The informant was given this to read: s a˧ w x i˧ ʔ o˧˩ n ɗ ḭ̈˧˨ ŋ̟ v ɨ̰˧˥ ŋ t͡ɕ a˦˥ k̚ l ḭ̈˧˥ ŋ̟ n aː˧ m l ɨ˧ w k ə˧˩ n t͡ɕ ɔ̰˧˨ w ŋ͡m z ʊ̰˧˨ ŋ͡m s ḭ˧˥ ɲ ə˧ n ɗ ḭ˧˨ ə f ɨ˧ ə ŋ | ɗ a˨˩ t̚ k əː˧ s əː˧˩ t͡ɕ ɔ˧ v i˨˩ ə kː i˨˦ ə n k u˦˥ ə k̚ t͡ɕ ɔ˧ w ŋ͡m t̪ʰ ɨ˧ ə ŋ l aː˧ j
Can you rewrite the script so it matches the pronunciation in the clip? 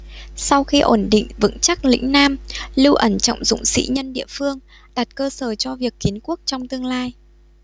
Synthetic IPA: s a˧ w x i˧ ʔ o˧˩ n ɗ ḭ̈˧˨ ŋ̟ v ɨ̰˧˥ ŋ t͡ɕ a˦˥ k̚ l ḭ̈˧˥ ŋ̟ n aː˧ m l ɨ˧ w ʔ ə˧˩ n t͡ɕ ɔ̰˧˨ w ŋ͡m z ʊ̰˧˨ ŋ͡m s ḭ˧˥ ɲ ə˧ n ɗ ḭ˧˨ ə f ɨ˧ ə ŋ | ɗ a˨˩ t̚ k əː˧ s əː˧˩ t͡ɕ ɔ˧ v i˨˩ ə kː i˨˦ ə n k u˦˥ ə k̚ t͡ɕ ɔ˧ w ŋ͡m t̪ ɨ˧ ə ŋ l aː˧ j